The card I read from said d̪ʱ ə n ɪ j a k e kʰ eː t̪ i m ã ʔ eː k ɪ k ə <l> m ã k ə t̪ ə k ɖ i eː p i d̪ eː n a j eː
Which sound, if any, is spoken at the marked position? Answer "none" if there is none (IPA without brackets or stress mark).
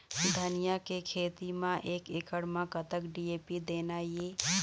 ɽ